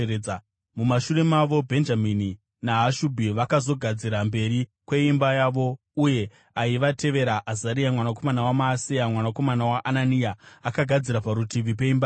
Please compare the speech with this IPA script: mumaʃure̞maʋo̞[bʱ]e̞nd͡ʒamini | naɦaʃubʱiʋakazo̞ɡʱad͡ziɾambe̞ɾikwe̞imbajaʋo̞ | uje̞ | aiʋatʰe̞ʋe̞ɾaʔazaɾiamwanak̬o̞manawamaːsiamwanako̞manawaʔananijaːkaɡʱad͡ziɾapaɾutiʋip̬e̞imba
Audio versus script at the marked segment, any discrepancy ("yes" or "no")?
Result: no